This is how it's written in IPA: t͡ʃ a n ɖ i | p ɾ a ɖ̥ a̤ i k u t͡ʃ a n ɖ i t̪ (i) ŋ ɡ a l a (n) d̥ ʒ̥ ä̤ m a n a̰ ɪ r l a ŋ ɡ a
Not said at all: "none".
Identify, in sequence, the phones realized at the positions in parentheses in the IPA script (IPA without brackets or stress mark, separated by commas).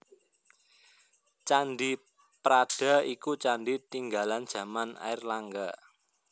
i, n